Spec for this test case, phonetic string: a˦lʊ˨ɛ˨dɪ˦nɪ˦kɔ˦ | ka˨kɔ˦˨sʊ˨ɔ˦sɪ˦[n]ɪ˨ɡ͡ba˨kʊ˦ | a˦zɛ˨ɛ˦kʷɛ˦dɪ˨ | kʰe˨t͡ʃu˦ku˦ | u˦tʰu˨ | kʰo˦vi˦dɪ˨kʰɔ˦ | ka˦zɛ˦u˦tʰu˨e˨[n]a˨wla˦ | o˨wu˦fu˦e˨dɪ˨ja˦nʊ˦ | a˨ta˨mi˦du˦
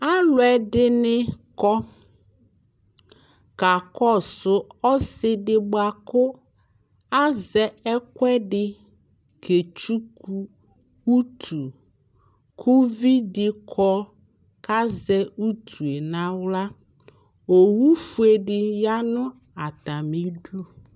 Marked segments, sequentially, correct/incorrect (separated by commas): incorrect, correct